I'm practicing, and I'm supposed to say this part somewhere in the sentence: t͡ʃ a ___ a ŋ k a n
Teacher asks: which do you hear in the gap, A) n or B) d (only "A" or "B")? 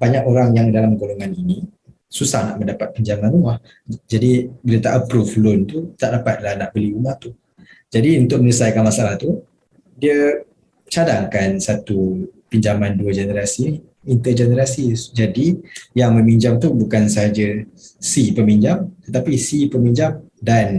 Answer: B